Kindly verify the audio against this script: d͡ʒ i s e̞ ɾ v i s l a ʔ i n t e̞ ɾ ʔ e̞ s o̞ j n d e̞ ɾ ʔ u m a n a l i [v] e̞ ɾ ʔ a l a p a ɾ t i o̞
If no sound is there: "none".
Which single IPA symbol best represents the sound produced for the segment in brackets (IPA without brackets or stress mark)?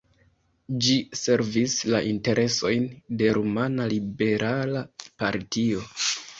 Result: b